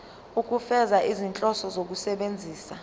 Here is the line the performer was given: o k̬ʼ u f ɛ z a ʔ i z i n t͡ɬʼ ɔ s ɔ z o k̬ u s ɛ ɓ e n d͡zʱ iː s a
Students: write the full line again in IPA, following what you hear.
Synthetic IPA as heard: u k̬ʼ u f ɛ z a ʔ i z i n t͡ɬʼ ɔ s ɔ z o k̬ u s ɛ ɓ e n d͡zʱ iː s a